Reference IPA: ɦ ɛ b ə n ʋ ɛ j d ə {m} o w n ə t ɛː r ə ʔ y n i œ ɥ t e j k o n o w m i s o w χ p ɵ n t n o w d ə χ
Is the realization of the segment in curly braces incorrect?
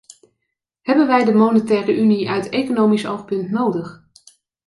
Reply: no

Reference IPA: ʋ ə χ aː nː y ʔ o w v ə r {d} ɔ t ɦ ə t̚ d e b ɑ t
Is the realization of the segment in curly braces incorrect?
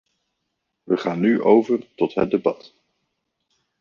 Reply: yes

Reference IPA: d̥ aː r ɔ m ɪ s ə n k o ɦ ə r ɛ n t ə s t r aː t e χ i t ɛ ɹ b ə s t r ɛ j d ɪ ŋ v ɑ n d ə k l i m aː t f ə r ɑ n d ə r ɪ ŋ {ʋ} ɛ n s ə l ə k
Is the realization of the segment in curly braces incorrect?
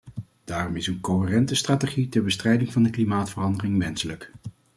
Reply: no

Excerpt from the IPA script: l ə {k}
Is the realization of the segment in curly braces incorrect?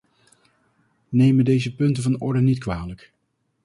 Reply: no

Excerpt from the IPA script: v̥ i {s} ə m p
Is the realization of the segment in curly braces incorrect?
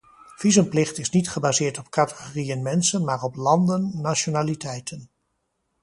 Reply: yes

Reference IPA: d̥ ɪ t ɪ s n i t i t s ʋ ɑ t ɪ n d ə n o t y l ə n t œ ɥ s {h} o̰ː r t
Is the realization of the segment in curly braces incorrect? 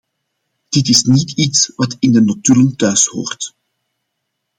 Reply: no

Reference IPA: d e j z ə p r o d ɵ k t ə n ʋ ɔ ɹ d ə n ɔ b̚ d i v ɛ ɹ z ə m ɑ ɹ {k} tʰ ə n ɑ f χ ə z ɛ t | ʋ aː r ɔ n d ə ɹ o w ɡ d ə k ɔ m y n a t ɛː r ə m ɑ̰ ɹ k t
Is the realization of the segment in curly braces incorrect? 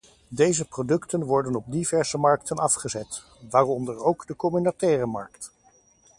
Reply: no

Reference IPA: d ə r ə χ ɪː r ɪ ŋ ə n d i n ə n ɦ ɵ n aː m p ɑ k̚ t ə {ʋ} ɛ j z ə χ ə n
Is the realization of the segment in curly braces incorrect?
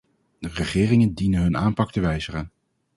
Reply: no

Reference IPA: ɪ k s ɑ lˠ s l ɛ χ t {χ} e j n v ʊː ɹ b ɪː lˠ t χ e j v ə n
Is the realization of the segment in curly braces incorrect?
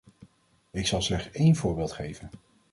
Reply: yes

